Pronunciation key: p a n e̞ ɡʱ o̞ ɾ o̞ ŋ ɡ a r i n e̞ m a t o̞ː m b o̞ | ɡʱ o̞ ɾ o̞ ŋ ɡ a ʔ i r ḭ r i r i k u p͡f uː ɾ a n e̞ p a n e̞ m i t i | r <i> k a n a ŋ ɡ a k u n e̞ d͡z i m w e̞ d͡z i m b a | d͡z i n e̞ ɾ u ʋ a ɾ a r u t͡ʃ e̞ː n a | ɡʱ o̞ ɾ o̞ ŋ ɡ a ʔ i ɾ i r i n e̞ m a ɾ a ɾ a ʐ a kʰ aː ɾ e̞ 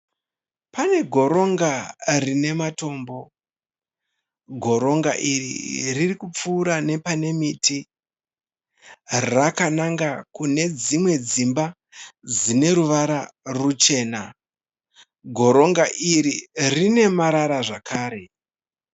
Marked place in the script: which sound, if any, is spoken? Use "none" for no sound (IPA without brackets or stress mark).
a